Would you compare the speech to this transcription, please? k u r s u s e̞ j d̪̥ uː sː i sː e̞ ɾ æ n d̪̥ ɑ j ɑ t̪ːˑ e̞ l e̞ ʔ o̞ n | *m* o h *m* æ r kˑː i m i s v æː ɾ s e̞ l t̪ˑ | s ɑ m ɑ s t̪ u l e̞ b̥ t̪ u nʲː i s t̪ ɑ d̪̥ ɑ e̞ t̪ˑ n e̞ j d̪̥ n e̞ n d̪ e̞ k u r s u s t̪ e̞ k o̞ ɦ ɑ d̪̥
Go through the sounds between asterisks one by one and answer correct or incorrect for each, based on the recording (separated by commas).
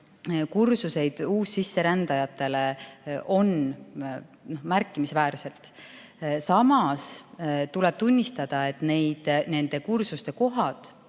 incorrect, correct